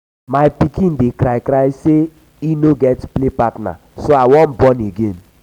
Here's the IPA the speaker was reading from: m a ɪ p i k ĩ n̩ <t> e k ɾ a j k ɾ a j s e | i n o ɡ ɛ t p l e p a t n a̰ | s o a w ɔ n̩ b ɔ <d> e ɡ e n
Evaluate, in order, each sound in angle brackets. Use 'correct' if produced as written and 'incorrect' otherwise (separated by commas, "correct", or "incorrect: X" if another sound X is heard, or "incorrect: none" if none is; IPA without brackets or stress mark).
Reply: incorrect: d, incorrect: n